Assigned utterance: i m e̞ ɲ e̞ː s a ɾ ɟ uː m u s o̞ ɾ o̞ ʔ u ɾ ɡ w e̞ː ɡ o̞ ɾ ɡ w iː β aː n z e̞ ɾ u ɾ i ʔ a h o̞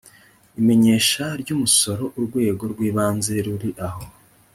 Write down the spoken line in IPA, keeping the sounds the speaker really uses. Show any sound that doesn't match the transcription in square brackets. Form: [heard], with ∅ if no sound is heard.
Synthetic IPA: i m e̞ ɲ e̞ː [ʃ] a ɾ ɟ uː m u s o̞ ɾ o̞ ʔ u ɾ ɡ w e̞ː ɡ o̞ ɾ ɡ w iː β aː n z e̞ ɾ u ɾ i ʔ a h o̞

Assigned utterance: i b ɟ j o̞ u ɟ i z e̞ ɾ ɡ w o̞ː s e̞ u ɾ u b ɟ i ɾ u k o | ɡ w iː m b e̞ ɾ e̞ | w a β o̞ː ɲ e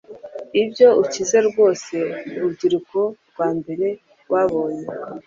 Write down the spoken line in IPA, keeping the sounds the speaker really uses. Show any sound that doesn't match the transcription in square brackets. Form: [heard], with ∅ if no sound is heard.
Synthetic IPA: i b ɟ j o̞ u [c] i z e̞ ɾ ɡ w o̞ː s e̞ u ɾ u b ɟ i ɾ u k o | ɡ w [aː] m b e̞ ɾ e̞ | w a β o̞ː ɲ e

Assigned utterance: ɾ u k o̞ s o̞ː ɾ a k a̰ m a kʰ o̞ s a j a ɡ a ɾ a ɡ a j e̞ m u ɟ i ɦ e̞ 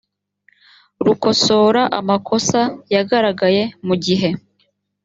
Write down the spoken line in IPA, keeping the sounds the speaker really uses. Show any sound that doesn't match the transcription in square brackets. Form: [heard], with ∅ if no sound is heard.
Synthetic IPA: ɾ u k o̞ s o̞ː ɾ a [ʔ] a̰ m a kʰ o̞ s a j a ɡ a ɾ a ɡ a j e̞ m u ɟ i ɦ e̞

